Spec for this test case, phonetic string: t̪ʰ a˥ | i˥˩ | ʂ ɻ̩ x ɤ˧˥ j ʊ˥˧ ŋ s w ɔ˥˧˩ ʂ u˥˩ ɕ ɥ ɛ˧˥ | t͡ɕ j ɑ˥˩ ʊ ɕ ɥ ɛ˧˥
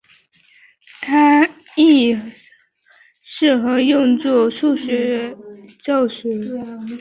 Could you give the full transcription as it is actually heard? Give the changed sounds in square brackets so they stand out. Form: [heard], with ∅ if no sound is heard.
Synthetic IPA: t̪ʰ a˥ | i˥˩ | ʂ ɻ̩ x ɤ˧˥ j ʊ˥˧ ŋ [t͡s] w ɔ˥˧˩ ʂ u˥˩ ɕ ɥ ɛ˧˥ | t͡ɕ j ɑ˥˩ ʊ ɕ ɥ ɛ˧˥